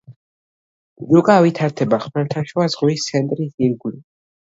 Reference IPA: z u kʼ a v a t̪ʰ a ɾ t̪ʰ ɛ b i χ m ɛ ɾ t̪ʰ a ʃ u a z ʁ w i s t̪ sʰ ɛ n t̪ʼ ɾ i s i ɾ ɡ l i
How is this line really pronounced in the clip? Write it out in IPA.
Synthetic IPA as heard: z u kʼ a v i t̪ʰ a ɾ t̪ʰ ɛ b a χ m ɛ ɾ t̪ʰ a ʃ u a z ʁ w i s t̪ sʰ ɛ n t̪ʼ ɾ i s i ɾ ɡ l i